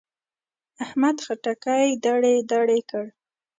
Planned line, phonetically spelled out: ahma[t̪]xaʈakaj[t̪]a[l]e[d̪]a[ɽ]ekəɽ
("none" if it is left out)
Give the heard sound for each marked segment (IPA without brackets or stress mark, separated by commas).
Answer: d̪, d̪, ɽ, d̪, ɽ